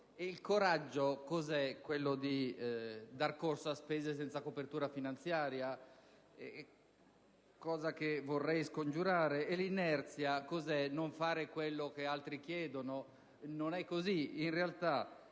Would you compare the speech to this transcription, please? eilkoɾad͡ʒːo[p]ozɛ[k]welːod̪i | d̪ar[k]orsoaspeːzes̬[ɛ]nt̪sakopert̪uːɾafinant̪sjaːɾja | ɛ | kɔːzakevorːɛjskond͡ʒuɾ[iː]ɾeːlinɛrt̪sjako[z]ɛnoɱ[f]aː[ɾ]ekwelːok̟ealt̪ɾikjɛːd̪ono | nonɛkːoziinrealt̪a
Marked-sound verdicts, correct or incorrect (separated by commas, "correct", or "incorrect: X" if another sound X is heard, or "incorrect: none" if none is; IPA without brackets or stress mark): incorrect: k, correct, correct, correct, incorrect: aː, correct, correct, correct